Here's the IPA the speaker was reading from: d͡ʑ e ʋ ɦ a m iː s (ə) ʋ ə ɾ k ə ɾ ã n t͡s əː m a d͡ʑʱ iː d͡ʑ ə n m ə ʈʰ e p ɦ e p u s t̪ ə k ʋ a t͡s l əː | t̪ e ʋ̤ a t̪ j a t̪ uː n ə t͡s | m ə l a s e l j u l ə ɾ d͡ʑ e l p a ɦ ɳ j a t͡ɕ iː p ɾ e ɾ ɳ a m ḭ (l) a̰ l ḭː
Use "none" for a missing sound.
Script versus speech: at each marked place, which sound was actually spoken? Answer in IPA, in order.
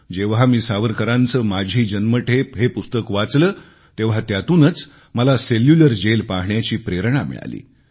a, ɭ

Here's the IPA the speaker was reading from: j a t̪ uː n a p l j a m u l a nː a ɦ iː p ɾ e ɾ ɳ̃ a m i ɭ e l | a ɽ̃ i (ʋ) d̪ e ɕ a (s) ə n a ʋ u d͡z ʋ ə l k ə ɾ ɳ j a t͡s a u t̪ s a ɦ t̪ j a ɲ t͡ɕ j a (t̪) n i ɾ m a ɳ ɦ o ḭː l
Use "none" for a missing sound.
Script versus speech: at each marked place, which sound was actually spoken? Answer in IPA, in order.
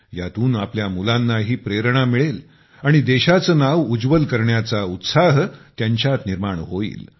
none, t͡s, t̪

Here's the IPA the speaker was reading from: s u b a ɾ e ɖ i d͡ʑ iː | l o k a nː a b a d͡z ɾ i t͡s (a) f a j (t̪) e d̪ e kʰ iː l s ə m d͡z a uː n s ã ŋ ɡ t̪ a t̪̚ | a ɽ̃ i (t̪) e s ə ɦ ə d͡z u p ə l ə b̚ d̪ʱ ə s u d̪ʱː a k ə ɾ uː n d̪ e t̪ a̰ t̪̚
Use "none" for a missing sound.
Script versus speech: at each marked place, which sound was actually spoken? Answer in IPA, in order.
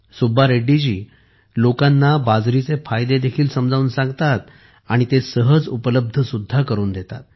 e, d̪, t̪

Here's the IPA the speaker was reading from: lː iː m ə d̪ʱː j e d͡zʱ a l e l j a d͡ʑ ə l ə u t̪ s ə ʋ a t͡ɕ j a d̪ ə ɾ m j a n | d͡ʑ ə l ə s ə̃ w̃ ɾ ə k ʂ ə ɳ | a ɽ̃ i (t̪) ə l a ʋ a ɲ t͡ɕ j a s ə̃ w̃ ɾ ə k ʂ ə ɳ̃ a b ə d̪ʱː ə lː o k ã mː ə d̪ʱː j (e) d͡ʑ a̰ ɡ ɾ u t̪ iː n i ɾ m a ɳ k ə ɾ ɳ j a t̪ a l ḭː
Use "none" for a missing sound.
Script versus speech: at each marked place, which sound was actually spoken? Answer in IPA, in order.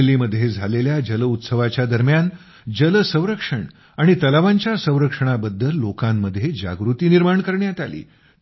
t̪, e

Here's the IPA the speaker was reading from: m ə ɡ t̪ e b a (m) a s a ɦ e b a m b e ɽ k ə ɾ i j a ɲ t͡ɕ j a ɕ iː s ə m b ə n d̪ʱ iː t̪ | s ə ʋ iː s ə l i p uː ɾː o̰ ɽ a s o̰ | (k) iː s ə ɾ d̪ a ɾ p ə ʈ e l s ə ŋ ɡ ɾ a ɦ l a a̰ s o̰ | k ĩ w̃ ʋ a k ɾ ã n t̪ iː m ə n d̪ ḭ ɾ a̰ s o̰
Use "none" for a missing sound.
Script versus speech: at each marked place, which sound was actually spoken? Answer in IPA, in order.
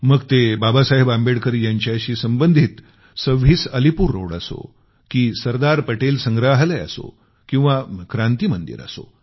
b, k

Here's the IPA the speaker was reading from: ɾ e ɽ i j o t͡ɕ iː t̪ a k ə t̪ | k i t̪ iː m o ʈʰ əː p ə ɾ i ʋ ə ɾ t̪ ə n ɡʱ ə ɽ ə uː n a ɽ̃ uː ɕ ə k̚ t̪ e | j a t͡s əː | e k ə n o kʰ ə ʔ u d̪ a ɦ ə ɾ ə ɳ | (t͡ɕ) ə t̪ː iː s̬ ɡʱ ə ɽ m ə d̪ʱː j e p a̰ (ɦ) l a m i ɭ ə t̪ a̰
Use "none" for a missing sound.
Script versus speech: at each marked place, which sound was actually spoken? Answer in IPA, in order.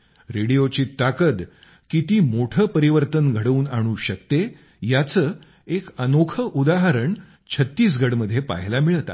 t͡ɕʰ, ɦ

